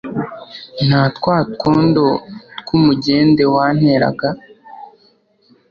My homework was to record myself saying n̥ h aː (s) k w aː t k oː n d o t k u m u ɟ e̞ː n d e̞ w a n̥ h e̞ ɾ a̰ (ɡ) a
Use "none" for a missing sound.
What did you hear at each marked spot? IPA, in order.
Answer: t, ɡ

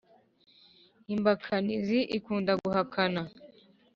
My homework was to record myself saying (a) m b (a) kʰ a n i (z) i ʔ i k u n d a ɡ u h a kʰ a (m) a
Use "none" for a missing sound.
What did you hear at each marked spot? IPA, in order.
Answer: i, a, z, n

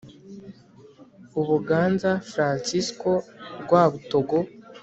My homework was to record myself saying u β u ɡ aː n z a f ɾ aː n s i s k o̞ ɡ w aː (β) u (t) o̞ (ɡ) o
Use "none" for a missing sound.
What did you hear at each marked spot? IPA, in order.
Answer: β, t, ɡ

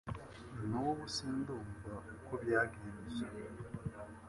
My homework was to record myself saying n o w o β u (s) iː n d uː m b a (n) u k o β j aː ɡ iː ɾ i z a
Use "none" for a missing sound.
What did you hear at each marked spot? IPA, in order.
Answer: s, none

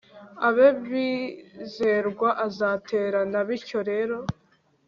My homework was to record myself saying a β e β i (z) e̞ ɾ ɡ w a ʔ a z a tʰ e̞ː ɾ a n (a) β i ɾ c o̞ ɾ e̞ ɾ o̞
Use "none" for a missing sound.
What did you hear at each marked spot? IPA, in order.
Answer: z, a

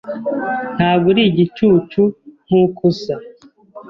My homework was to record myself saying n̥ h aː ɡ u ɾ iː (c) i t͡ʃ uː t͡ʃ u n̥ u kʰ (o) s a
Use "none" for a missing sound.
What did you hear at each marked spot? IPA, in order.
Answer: ɟ, u

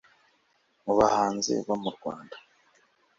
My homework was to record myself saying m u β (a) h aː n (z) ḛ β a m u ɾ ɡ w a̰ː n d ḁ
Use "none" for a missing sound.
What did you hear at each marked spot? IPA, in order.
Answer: a, z

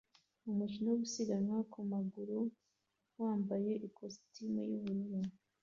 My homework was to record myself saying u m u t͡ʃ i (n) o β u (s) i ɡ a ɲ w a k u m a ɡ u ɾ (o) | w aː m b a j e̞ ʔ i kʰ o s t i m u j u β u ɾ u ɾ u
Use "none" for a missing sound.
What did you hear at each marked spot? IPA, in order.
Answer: n, s, u

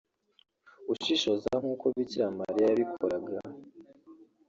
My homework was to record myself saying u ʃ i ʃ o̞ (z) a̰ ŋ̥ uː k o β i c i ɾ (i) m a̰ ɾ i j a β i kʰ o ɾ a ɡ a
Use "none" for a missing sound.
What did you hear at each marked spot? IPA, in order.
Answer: z, a

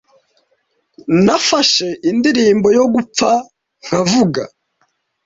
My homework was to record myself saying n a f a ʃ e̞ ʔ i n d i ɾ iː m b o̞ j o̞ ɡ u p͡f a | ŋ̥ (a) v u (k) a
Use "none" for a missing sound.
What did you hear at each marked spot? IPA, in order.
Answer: a, ɡ

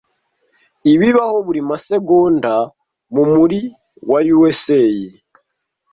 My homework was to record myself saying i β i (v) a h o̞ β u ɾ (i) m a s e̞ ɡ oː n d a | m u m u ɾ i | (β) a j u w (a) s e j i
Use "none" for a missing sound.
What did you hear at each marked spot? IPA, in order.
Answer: β, i, w, e

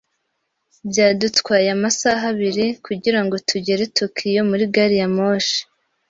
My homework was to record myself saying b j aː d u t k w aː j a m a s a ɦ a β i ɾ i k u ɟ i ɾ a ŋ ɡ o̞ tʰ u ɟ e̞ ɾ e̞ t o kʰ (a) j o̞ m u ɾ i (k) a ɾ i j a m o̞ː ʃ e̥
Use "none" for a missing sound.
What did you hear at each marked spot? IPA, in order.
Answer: i, ɡ

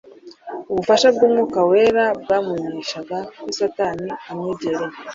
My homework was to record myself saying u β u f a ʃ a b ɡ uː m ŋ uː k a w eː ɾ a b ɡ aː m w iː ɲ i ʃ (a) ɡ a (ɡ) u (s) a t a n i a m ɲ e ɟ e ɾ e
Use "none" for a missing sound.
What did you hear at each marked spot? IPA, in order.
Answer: a, k, s

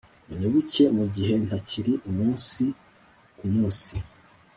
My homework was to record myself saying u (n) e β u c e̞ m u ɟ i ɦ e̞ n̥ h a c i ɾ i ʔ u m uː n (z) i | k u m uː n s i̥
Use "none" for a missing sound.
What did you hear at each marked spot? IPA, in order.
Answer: ɲ, s

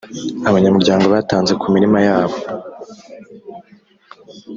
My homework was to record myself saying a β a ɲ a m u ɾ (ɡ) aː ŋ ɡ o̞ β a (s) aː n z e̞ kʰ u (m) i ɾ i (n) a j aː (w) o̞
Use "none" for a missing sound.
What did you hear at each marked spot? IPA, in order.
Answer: ɟ, t, m, m, β

